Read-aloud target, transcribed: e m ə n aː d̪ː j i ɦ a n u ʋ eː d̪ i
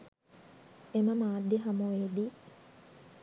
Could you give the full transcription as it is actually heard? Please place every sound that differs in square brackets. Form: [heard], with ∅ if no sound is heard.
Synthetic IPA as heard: e m ə [m] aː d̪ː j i ɦ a [m] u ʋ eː d̪ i

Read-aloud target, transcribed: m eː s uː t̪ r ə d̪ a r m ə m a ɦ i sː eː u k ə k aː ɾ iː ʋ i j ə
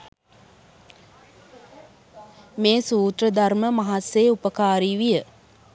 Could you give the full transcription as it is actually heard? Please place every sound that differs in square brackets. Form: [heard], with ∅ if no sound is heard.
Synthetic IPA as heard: m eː s uː t̪ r ə d̪ a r m ə m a ɦ [a] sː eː u [p] ə k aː ɾ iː ʋ i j ə

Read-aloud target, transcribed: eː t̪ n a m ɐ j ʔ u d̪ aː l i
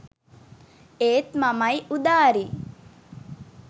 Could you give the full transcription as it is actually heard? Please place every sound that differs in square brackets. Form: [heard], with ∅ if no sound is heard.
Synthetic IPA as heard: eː t̪ [m] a m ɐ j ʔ u d̪ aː [ɾ] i

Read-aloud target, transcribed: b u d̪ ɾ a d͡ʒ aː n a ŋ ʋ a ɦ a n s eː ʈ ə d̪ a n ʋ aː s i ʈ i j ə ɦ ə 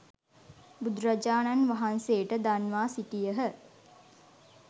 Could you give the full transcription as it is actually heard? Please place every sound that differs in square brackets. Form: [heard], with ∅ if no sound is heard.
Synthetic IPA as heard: b u d̪ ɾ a d͡ʒ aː n a [n] ʋ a ɦ a n s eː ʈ ə d̪ a n ʋ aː s i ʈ i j ə ɦ ə

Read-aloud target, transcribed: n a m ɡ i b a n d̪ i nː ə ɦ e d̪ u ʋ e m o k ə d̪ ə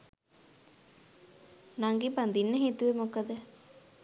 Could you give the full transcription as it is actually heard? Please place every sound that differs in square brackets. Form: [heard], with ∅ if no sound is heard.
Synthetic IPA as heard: n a [ŋ] ɡ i b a n d̪ i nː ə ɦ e [t̪] u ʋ e m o k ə d̪ ə

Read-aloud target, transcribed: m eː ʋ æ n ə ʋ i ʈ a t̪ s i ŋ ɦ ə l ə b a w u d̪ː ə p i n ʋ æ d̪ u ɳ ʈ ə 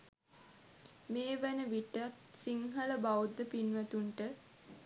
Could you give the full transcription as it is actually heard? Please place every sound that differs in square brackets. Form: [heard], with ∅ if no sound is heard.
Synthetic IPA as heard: m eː ʋ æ n ə ʋ i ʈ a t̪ s i ŋ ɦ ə l ə b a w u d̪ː ə p i n ʋ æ [t̪] u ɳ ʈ ə

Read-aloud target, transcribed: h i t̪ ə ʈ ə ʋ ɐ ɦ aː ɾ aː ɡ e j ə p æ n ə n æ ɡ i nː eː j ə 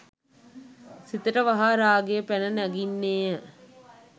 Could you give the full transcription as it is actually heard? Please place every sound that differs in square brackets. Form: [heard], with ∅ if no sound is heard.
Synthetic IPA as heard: [s] i t̪ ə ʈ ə ʋ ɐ ɦ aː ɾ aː ɡ e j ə p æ n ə n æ ɡ i nː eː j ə

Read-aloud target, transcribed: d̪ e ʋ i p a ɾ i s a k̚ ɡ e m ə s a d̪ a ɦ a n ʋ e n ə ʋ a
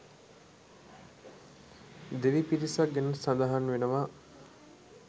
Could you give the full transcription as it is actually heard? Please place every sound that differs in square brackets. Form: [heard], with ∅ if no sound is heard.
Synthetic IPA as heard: d̪ e ʋ i p [i] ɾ i s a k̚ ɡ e [n] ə s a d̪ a ɦ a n ʋ e n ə ʋ a

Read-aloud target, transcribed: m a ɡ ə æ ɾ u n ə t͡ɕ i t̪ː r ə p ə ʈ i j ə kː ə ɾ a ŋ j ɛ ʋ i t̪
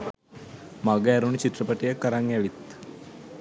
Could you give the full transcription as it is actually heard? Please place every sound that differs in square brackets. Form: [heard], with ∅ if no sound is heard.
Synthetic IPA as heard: m a ɡ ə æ ɾ u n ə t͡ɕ i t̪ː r ə p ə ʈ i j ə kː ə ɾ a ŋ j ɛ ʋ i t̪

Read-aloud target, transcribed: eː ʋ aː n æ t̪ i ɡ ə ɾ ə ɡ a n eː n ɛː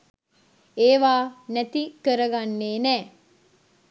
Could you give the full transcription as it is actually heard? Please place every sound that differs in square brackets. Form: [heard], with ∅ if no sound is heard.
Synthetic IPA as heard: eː ʋ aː n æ t̪ i [k] ə ɾ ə ɡ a [nː] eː n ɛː

